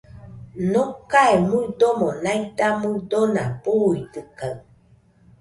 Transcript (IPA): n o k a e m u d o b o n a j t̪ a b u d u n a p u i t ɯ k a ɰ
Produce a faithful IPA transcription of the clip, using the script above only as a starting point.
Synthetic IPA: n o k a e m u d o m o n a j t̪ a m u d o n a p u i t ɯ k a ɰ